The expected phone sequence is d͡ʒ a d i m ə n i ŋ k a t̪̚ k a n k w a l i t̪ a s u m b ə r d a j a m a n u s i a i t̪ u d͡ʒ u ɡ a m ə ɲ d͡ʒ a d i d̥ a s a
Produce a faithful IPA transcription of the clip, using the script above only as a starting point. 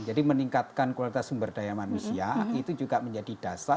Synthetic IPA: d͡ʒ a d i m ə n i ŋ k a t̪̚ k a n k w a l i t̪ a s u m b ə r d a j a m a n u s i a i t̪ u d͡ʒ u ɡ a m ə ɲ d͡ʒ a d i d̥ a s a